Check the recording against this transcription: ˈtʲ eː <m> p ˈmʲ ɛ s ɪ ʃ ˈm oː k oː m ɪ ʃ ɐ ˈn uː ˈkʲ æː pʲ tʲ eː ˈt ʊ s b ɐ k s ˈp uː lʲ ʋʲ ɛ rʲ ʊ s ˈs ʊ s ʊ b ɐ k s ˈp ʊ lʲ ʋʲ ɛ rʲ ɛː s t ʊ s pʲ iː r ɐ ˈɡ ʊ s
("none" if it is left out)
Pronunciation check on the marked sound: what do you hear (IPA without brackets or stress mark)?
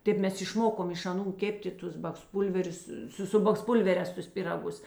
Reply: none